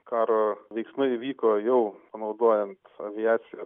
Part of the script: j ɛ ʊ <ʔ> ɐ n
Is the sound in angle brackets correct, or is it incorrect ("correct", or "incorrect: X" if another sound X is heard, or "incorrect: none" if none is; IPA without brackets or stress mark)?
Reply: incorrect: p